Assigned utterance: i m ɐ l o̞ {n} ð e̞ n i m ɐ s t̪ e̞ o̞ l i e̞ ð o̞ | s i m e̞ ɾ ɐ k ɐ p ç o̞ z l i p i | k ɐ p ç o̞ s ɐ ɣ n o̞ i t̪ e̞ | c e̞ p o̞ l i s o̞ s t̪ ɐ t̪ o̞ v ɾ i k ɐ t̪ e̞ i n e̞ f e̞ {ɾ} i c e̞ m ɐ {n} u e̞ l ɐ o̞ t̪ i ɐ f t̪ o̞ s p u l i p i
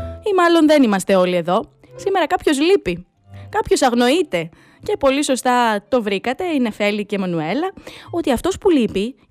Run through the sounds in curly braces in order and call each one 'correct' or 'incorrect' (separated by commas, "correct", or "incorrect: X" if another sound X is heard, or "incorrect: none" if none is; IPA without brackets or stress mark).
correct, incorrect: l, correct